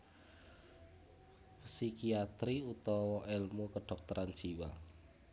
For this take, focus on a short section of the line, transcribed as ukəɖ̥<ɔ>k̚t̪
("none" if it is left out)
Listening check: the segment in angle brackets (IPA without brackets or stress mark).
ɔ